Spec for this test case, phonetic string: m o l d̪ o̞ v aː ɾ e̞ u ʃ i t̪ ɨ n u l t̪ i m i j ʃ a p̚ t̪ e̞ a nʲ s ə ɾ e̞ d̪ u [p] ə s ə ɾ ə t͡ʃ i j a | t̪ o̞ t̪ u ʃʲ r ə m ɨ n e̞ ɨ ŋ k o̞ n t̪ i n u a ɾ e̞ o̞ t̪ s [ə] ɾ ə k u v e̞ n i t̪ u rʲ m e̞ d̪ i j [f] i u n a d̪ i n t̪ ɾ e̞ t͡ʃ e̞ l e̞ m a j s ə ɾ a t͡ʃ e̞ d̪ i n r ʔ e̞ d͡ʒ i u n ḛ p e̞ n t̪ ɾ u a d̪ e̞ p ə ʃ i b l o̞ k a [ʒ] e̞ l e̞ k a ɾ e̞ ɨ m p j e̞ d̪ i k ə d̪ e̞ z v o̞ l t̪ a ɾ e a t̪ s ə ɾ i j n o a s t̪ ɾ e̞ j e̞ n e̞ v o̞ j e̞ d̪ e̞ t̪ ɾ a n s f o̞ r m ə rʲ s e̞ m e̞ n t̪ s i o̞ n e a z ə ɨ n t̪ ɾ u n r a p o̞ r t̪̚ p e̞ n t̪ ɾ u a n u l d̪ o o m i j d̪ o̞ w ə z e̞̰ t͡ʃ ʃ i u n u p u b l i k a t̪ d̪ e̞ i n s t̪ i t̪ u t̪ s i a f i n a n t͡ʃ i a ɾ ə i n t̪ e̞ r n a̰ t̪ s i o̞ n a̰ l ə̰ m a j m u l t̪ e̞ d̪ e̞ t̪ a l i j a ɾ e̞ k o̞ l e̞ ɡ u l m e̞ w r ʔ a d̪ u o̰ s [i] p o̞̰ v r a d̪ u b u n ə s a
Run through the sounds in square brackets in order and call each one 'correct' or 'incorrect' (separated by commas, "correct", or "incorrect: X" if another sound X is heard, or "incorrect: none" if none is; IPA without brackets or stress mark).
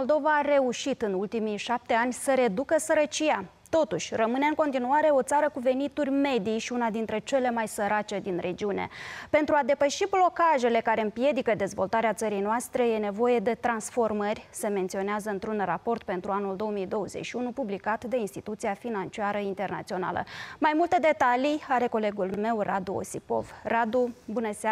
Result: incorrect: k, incorrect: a, incorrect: ʃ, correct, correct